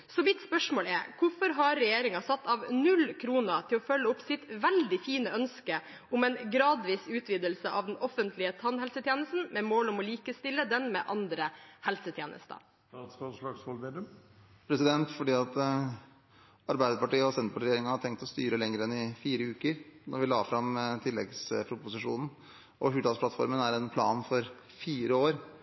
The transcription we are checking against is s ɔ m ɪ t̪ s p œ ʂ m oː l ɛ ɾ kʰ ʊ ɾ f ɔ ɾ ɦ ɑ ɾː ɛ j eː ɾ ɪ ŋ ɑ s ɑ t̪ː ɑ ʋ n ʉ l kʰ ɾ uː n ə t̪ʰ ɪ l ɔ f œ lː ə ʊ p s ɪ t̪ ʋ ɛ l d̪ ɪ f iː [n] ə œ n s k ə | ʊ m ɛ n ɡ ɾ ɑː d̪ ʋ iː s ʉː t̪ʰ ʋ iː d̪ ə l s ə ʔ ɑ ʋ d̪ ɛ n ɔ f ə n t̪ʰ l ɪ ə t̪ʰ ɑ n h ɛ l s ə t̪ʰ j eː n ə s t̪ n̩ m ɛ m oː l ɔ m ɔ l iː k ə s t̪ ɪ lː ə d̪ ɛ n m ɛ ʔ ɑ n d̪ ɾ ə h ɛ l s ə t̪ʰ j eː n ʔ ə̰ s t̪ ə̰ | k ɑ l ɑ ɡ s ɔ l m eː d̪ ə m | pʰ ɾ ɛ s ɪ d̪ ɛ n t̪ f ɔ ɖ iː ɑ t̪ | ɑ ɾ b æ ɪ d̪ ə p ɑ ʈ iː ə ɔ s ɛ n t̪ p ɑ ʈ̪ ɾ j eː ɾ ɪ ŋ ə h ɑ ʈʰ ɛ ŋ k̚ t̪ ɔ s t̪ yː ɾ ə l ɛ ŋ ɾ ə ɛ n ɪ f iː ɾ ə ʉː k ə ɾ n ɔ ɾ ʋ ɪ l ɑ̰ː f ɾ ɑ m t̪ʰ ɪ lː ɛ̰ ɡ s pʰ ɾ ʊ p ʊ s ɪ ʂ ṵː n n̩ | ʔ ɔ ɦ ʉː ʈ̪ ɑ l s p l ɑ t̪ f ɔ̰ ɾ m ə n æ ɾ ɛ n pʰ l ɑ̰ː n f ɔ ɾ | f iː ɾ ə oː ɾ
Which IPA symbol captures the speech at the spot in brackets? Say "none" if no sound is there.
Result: n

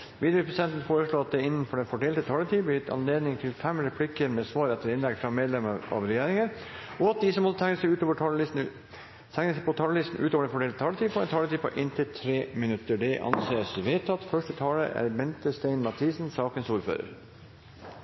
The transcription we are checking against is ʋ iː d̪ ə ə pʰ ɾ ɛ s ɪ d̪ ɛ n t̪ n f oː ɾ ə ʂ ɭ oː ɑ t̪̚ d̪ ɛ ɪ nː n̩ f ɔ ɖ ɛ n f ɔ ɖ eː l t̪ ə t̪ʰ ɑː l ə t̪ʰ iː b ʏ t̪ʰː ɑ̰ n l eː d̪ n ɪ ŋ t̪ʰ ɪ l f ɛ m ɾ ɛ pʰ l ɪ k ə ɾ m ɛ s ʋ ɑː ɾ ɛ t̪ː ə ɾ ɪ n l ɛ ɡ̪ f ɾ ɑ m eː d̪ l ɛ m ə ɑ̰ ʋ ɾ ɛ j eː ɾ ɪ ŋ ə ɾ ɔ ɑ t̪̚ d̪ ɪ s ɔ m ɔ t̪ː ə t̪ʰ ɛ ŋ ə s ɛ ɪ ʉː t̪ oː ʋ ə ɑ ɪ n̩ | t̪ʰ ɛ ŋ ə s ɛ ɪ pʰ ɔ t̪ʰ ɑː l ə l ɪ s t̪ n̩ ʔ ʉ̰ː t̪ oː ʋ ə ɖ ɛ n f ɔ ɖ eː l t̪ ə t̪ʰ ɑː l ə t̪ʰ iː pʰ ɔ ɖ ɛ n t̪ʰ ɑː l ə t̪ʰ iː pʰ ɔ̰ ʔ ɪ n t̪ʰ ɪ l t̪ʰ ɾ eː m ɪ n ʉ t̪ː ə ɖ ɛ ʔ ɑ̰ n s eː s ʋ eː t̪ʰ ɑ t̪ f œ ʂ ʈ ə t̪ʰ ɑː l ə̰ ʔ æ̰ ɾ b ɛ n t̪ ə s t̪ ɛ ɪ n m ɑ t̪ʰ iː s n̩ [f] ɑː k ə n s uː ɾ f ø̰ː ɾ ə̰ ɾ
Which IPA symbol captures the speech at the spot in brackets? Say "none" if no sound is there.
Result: s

